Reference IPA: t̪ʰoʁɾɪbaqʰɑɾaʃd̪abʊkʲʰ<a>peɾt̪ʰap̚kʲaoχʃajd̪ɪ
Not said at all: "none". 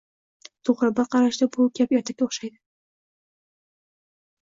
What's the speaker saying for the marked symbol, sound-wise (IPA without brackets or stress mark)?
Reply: a